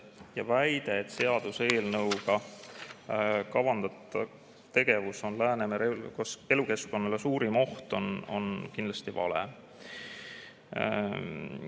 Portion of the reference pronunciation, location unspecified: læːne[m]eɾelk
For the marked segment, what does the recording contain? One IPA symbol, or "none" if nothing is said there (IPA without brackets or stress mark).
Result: m